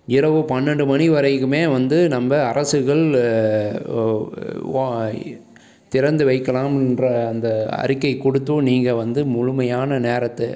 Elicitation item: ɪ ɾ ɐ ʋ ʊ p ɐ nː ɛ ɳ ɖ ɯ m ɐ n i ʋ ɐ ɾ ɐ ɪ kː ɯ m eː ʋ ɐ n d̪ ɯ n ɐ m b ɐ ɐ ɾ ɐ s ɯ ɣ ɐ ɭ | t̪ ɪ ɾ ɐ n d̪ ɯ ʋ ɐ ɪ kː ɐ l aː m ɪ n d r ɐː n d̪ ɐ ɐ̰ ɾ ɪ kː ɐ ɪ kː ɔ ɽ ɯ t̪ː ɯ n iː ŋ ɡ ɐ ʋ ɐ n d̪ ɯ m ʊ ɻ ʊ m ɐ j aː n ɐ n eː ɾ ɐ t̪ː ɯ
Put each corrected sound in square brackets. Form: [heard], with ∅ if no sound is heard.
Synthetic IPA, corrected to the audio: ɪ ɾ ɐ ʋ [ɯ] p ɐ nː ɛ ɳ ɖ ɯ m ɐ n i ʋ ɐ ɾ ɐ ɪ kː ɯ m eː ʋ ɐ n d̪ ɯ n ɐ m b ɐ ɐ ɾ ɐ s ɯ ɣ ɐ ɭ | t̪ ɪ ɾ ɐ n d̪ ɯ ʋ ɐ ɪ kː ɐ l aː m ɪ n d r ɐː n d̪ ɐ ɐ̰ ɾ ɪ kː ɐ ɪ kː ɔ ɽ ɯ t̪ː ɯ n iː ŋ ɡ ɐ ʋ ɐ n d̪ ɯ m ʊ ɻ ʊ m ɐ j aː n ɐ n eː ɾ ɐ t̪ː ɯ